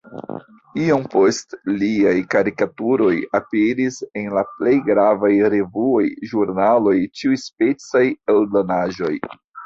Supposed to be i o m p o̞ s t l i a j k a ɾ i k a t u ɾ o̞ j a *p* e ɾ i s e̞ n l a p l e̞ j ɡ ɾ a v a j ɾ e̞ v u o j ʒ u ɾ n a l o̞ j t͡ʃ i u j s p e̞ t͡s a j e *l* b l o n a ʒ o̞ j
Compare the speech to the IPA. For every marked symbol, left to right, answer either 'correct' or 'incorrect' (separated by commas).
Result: correct, correct